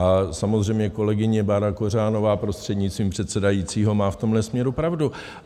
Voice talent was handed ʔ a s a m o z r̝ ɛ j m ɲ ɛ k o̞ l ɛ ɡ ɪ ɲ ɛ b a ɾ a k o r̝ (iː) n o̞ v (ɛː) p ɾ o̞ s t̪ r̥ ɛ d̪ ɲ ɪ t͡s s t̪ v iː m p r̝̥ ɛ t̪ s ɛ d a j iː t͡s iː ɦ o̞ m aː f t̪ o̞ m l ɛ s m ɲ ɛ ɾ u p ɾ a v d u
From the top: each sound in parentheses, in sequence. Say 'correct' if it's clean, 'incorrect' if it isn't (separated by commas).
incorrect, incorrect